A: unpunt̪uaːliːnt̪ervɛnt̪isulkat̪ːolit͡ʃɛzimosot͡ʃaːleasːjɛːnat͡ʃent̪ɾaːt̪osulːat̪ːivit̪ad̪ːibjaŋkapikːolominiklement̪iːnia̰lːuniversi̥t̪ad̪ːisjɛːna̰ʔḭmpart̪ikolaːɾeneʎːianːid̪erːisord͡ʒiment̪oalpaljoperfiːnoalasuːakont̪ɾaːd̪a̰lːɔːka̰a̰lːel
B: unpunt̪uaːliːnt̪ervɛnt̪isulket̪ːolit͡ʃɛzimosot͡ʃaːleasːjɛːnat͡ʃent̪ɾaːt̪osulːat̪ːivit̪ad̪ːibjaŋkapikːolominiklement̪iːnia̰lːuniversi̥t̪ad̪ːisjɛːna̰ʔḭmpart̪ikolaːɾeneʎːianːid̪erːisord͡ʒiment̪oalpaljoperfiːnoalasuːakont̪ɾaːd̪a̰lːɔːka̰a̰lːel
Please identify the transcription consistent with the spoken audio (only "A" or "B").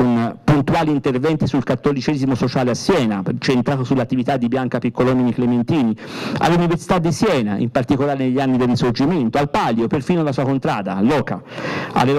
A